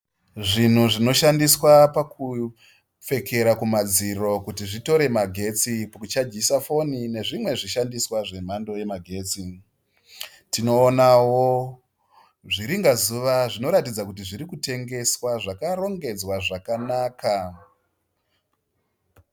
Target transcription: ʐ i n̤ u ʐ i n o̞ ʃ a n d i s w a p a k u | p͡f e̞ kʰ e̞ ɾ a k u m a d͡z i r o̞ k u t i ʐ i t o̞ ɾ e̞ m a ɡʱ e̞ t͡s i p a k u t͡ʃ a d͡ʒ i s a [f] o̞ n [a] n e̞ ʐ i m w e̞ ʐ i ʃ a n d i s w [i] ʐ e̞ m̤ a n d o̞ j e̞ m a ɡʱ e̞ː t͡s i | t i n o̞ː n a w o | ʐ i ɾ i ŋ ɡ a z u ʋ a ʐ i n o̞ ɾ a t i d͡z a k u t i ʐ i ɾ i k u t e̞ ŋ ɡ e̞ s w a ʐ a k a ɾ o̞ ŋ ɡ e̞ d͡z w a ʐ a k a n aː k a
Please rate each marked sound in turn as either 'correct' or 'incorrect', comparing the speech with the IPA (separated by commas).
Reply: correct, incorrect, incorrect